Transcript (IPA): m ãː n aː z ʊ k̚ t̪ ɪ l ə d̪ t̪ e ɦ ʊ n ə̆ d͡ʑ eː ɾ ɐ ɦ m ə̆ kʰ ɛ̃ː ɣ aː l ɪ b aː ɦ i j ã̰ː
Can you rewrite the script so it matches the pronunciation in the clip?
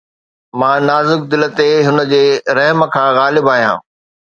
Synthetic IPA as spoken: m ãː n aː z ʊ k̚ d̪ ɪ l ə t̪ e ɦ ʊ n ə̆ d͡ʑ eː ɾ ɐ ɦ m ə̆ kʰ ãː ɣ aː l ɪ b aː ɦ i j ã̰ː